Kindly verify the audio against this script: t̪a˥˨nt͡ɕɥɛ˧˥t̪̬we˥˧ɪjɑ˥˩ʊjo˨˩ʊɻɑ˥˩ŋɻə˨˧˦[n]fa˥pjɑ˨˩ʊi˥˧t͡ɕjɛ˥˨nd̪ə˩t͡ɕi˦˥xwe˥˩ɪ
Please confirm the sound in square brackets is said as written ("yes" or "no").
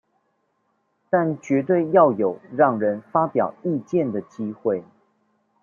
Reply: yes